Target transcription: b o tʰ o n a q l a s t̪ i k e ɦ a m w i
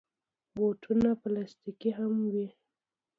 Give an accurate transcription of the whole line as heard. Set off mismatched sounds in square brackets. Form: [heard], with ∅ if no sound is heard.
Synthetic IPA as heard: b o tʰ [u] n a [p] l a s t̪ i k [i] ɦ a m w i